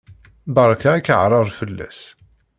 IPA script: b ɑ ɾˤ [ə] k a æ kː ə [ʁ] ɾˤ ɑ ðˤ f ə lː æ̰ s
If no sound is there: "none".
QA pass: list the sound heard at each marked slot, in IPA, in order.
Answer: ɑ, ʕ

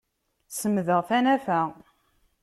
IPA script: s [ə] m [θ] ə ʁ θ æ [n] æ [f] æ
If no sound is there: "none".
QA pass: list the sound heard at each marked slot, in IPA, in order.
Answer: ə, ð, n, f

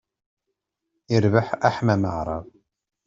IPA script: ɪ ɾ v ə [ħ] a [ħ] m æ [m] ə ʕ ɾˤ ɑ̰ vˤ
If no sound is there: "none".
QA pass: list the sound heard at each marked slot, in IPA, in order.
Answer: ħ, ħ, m

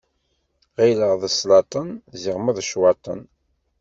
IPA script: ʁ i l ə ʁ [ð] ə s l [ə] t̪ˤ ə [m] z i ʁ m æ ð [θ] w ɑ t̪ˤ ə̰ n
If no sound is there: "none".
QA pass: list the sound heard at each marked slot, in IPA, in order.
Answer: ð, ɑ, n, ʃ

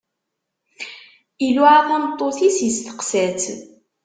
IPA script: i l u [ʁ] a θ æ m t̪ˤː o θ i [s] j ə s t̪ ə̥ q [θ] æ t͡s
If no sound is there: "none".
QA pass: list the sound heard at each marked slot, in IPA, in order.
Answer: ʕ, s, s

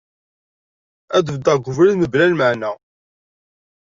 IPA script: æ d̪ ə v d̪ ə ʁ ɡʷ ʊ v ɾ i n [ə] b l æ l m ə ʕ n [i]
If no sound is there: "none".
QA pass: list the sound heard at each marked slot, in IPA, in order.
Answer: ə, æ

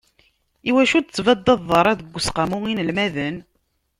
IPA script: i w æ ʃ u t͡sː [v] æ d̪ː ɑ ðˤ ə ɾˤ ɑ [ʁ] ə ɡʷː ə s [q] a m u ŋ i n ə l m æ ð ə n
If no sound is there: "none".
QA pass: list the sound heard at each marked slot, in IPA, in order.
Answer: v, ð, q

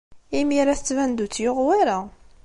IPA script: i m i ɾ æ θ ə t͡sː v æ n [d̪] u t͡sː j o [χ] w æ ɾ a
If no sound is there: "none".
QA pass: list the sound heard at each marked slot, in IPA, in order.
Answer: d̪, ʁ

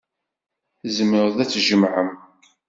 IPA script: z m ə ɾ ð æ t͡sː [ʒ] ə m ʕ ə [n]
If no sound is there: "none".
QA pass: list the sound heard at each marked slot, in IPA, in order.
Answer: ʒ, m

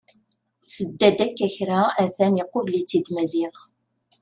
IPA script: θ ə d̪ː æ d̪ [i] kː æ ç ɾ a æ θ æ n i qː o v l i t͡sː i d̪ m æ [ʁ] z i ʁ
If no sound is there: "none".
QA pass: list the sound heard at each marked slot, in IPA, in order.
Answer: æ, none

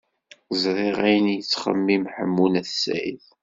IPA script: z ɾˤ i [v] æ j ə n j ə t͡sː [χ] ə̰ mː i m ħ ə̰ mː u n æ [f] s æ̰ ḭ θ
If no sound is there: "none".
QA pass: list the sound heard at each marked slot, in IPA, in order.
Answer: ʁ, χ, θ

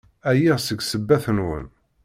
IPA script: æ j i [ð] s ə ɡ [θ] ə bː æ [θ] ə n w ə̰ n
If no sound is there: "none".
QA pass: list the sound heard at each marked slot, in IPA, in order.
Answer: ʁ, s, θ

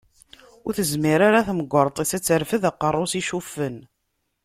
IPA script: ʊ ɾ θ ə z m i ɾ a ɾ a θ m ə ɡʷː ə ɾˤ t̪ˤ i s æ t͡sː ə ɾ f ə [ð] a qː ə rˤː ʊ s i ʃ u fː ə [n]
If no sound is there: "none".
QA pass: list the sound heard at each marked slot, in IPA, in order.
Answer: ð, n

